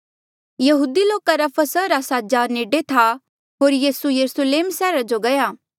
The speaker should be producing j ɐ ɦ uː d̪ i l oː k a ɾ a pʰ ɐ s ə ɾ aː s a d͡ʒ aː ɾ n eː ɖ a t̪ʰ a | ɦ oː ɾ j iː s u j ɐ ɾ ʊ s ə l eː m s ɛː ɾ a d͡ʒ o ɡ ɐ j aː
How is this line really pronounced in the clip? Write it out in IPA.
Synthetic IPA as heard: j ɐ ɦ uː d̪ i l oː k a ɾ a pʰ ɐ s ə ɾ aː s a d͡ʒ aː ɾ n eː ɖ e t̪ʰ a | ɦ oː ɾ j iː s u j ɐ ɾ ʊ s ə l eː m s ɛː ɾ a d͡ʒ o ɡ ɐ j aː

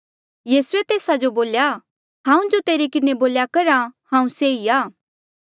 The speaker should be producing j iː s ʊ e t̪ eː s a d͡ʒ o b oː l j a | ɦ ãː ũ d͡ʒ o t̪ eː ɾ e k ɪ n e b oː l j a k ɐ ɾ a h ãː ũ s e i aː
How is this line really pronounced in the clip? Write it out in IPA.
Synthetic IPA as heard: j iː s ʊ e t̪ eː s a d͡ʒ o b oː l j a | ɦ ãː ũ d͡ʒ o t̪ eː ɾ e k ɪ n e b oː l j a k ɐ ɾ a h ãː ũ s e i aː

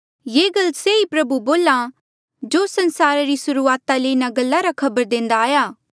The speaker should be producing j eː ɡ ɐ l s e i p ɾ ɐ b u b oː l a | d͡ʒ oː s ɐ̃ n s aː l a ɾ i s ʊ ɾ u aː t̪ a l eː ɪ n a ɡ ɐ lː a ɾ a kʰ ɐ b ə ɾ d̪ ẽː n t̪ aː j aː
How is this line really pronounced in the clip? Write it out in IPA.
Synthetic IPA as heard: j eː ɡ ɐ l s e i p ɾ ɐ b u b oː l a | d͡ʒ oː s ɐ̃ n s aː ɾ a ɾ i s ʊ ɾ u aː t̪ a l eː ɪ n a ɡ ɐ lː a ɾ a kʰ ɐ b ə ɾ d̪ ẽː n d̪ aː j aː

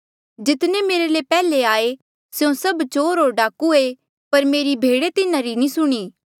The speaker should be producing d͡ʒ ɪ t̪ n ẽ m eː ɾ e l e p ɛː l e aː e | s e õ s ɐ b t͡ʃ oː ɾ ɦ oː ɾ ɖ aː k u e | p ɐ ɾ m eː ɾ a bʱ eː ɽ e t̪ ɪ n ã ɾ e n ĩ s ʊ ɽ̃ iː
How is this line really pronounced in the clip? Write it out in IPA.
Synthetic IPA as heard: d͡ʒ ɪ t̪ n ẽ m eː ɾ e l e p ɛː l e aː e | s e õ s ɐ b t͡ʃ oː ɾ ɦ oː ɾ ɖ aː k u e | p ɐ ɾ m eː ɾ i bʱ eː ɽ e t̪ ɪ n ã ɾ i n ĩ s ʊ ɽ̃ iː

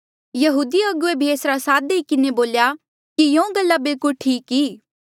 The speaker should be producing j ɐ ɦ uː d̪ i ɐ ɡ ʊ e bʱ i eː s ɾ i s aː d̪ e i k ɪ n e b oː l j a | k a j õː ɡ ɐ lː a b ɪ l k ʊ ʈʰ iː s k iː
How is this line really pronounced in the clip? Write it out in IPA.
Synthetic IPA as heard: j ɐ ɦ uː d̪ i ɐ ɡ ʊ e bʱ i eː s ɾ a s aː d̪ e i k ɪ n e b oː l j a | k i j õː ɡ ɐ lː a b ɪ l k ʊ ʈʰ iː k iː

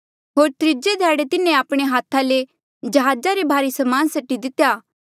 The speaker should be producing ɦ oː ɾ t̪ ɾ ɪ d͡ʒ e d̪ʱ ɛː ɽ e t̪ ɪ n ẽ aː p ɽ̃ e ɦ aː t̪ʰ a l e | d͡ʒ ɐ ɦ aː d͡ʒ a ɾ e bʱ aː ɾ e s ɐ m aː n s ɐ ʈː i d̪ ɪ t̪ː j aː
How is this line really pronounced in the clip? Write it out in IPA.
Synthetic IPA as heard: ɦ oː ɾ t̪ ɾ ɪ d͡ʒ e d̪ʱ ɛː ɽ e t̪ ɪ n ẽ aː p ɽ̃ e ɦ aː t̪ʰ a l e | d͡ʒ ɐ ɦ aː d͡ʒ a ɾ e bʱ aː ɾ i s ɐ m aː n s ɐ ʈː i d̪ ɪ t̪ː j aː

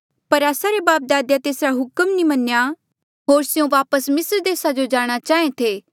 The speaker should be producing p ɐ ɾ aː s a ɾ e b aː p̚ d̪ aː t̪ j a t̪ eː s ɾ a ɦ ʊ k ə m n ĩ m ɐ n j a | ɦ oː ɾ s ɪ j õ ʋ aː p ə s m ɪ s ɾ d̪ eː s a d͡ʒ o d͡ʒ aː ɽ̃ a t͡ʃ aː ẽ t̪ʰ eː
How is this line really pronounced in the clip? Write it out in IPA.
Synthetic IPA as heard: p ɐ ɾ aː s a ɾ e b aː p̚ d̪ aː d̪ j a t̪ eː s ɾ a ɦ ʊ k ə m n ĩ m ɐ n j a | ɦ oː ɾ s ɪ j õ ʋ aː p ə s m ɪ s ɾ d̪ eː s a d͡ʒ o d͡ʒ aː ɽ̃ a t͡ʃ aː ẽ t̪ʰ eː

